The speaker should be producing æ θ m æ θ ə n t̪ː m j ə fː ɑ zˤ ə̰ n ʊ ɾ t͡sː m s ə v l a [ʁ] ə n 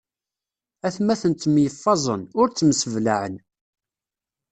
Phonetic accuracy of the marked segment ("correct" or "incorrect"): incorrect